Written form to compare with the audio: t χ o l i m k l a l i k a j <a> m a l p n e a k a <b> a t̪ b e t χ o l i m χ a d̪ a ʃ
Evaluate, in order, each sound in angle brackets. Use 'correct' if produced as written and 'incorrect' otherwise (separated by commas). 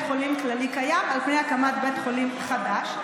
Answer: correct, incorrect